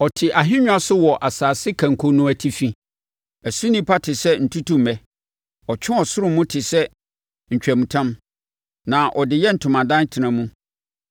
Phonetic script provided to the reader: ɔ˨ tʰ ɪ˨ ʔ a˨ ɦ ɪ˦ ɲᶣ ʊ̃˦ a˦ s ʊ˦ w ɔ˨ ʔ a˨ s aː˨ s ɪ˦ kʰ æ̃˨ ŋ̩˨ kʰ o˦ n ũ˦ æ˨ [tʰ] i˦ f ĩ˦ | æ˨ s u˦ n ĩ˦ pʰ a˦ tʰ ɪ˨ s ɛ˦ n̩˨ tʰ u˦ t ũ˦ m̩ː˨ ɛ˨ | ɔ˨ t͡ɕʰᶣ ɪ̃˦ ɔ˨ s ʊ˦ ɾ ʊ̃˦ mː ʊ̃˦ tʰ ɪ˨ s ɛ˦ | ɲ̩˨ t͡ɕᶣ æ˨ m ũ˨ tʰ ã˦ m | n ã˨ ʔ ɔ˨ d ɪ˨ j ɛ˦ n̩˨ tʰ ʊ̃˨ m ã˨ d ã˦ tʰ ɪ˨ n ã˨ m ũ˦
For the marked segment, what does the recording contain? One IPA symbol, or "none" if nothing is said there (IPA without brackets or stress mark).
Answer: tʰ